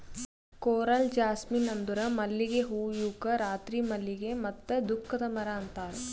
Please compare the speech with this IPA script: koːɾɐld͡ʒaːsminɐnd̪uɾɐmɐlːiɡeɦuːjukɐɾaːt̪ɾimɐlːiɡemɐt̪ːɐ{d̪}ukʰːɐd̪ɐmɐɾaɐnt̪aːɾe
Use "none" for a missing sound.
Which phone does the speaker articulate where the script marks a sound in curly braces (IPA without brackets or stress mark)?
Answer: d̪